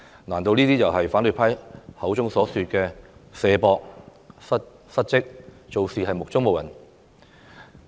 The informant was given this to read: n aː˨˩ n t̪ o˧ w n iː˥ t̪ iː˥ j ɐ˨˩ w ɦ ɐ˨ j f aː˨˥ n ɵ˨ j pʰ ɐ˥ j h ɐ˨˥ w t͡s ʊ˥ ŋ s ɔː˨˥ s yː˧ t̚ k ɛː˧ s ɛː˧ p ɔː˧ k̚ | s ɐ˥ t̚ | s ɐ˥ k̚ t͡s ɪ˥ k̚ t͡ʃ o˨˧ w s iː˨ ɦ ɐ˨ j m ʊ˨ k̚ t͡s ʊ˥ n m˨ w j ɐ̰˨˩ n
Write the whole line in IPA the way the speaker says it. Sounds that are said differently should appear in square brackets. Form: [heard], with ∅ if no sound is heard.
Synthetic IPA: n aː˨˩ n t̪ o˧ w n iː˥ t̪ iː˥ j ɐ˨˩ w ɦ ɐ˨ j f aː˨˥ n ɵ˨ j pʰ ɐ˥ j h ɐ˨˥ w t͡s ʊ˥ ŋ s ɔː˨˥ s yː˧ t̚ k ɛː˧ s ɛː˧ p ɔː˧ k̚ | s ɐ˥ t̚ | s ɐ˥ [t̚] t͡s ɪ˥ k̚ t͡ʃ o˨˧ w s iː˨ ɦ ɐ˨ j m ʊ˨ k̚ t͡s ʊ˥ [ŋ] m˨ w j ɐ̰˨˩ n

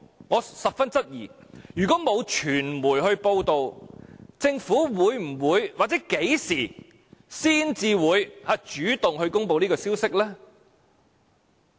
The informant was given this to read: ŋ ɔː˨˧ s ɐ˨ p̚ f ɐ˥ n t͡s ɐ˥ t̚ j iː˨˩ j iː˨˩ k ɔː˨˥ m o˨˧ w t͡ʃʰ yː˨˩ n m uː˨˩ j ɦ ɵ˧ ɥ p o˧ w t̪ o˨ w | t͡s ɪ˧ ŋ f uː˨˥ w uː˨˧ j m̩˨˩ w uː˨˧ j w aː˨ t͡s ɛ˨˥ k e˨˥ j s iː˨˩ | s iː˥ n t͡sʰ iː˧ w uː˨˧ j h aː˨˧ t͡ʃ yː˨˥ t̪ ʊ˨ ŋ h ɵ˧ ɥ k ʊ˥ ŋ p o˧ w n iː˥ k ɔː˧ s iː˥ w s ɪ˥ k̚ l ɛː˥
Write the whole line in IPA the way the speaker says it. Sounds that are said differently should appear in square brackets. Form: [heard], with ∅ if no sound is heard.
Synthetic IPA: ŋ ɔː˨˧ s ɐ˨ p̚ f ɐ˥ n t͡s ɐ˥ t̚ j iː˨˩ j [yː˨˩] k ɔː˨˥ m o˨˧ w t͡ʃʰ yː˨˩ n m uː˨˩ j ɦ ɵ˧ ɥ p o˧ w t̪ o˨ w | t͡s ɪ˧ ŋ f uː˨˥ w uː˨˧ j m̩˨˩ w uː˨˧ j w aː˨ t͡s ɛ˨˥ k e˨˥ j s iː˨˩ | s iː˥ n [t͡s] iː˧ w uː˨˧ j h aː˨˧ t͡ʃ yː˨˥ t̪ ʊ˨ ŋ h ɵ˧ ɥ k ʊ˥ ŋ p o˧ w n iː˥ k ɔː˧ s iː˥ w s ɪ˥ k̚ l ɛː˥

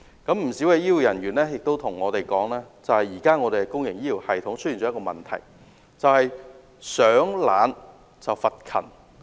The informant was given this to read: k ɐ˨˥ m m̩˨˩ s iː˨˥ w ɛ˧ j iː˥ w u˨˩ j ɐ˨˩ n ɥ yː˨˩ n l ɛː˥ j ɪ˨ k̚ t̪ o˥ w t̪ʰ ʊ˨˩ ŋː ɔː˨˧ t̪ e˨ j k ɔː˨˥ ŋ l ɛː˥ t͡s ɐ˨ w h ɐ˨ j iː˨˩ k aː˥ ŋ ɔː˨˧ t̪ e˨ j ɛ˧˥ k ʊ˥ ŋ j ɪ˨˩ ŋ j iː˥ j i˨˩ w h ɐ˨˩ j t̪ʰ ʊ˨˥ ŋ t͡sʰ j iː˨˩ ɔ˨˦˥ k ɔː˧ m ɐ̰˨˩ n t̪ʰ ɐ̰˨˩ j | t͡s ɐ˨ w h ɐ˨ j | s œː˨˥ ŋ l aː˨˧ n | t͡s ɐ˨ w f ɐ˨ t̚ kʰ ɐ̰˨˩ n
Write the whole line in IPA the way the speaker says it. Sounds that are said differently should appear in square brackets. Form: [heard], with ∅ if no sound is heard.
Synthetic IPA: k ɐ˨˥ m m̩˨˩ s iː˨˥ w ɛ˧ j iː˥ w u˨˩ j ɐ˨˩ n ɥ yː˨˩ n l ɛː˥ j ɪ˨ k̚ t̪ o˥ w t̪ʰ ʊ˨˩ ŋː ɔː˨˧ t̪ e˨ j k ɔː˨˥ ŋ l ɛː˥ t͡s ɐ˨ w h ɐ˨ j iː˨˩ k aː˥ ŋ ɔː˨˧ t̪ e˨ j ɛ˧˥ k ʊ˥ ŋ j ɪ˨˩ ŋ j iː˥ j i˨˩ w h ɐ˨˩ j t̪ʰ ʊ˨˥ ŋ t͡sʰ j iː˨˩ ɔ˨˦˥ k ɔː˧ m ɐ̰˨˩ n t̪ʰ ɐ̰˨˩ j | t͡s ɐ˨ w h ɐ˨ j | s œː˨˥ ŋ l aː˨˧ n | t͡s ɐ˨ w f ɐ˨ t̚ kʰ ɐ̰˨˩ n

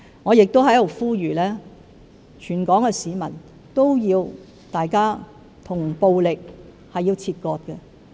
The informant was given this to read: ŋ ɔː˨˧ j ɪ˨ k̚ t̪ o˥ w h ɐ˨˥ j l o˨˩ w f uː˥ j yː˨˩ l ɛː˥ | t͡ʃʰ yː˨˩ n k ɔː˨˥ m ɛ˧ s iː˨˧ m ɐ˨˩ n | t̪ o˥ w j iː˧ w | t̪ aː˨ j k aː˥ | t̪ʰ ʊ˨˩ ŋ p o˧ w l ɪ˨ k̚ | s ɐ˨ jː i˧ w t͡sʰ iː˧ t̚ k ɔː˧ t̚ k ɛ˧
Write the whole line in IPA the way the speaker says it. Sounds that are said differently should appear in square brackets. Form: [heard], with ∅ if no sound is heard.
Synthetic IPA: ŋ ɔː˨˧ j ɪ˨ k̚ t̪ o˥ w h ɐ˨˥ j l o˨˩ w f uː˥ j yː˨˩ l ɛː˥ | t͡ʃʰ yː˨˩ n k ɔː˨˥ [ŋ] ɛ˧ s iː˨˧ m ɐ˨˩ n | t̪ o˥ w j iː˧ w | t̪ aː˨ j k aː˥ | t̪ʰ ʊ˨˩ ŋ p o˧ w l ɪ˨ k̚ | [h] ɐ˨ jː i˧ w t͡sʰ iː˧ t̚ k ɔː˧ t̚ k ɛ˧

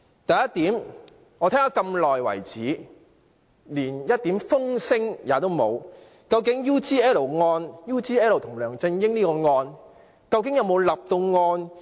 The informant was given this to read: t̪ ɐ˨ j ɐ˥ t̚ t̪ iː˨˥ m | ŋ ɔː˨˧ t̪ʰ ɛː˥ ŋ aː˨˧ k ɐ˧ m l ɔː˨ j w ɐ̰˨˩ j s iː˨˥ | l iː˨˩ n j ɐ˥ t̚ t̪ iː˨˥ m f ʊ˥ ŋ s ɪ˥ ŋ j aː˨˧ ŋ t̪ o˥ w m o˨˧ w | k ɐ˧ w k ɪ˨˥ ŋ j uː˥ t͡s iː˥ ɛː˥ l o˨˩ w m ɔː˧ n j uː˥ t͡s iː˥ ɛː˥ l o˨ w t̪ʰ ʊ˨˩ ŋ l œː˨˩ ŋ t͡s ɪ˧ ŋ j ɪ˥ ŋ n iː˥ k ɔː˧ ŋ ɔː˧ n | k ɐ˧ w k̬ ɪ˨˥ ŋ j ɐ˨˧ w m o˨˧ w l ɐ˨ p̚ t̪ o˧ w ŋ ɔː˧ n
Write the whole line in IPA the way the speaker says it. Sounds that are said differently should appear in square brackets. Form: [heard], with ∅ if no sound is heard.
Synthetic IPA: t̪ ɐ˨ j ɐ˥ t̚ t̪ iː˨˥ m | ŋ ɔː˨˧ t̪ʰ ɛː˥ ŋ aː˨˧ k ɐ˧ m l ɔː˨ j w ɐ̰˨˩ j [t͡s] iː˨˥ | l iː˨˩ n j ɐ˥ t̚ t̪ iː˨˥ m f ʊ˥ ŋ s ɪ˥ ŋ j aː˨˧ [∅] t̪ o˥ w m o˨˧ w | k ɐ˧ w k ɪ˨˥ ŋ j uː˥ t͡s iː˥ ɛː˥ l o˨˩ w [ŋ] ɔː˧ n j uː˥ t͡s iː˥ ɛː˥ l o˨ w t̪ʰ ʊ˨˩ ŋ l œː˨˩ ŋ t͡s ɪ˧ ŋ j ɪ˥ ŋ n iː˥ k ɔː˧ ŋ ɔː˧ n | k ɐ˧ w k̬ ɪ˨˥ ŋ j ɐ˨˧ w m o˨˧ w l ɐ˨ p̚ t̪ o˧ w ŋ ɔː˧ n

